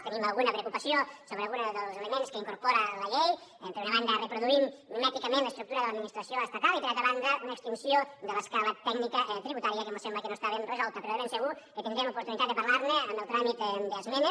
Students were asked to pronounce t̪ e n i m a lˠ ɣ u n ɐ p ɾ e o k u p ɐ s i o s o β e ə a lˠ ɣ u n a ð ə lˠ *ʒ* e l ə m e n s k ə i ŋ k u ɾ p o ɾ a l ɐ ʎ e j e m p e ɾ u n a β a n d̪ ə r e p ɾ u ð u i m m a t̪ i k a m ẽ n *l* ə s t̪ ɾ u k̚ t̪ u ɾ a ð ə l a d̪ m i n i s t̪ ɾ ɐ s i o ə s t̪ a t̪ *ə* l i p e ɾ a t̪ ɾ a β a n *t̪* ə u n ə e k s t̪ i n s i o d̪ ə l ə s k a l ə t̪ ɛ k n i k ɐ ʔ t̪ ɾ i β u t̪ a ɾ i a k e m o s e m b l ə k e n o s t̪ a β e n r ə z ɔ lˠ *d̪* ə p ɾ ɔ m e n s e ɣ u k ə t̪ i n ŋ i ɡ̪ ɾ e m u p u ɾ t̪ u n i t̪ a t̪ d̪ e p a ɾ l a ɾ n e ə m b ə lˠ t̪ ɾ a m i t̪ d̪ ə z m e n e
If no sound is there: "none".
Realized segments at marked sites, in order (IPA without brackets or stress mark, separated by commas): z, l, a, d̪, t̪